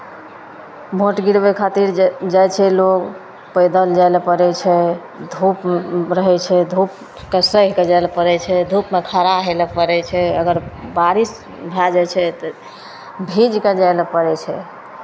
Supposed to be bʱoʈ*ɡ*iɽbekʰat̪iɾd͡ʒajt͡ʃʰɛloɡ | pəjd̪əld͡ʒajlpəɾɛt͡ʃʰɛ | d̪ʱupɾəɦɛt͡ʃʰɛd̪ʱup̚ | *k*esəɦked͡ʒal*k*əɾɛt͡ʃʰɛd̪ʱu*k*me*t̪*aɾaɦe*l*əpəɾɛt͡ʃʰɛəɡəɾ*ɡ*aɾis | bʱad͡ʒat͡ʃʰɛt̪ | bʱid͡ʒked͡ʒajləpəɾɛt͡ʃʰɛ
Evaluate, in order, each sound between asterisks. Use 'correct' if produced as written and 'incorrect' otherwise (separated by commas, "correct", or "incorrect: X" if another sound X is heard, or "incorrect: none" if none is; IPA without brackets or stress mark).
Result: correct, correct, incorrect: p, incorrect: p, incorrect: t̪ʰ, correct, incorrect: b